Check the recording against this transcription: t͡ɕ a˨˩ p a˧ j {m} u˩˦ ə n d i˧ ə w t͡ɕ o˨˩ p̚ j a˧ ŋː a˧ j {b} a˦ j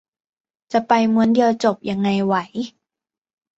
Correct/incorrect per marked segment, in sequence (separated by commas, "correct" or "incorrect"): correct, incorrect